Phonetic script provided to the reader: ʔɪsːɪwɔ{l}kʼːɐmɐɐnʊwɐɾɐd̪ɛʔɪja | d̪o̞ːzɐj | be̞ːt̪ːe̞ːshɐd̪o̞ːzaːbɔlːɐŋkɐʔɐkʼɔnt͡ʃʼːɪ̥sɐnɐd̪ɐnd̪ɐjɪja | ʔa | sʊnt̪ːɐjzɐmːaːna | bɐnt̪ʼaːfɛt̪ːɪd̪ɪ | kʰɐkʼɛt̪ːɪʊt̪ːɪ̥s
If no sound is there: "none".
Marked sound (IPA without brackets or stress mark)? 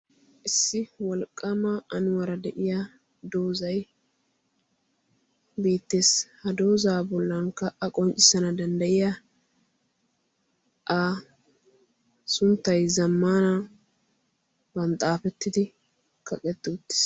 l